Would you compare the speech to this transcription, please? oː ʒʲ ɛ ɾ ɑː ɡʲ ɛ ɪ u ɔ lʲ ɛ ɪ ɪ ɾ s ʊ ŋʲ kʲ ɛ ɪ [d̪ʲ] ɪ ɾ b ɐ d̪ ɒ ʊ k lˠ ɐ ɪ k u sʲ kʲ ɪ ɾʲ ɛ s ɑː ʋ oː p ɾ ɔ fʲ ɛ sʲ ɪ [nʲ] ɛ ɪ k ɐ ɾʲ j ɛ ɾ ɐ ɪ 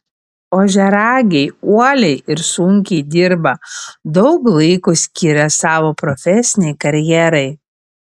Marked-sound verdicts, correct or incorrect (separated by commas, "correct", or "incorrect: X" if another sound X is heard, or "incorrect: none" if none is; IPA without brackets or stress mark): correct, correct